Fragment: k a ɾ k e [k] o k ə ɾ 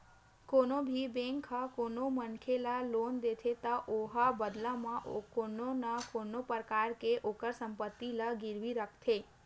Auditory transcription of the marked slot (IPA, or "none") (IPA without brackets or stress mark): ʔ